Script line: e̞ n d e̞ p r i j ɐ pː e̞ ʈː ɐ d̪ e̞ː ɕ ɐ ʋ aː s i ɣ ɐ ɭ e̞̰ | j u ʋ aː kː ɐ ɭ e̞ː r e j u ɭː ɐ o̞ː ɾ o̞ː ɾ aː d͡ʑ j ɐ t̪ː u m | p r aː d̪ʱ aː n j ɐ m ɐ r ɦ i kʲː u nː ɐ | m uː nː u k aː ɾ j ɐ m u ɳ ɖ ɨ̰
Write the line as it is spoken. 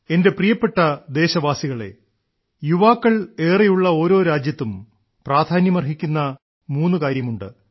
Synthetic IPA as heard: e̞ n d e̞ p r i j ɐ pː e̞ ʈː ɐ d̪ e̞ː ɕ ɐ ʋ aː s i ɣ ɐ ɭ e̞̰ | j u ʋ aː kː ɐ ɭ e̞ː r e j u ɭː ɐ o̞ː ɾ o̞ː ɾ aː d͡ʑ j ɐ t̪ː u m | p r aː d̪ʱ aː n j ɐ m ɐ r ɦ i kʲː u nː ɐ | m uː nː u k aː ɾ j ɐ m u ɳ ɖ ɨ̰